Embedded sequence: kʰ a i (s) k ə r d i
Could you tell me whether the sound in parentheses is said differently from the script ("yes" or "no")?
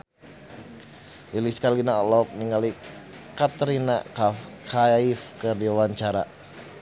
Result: yes